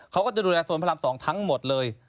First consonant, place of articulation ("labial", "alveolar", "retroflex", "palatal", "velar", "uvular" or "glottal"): velar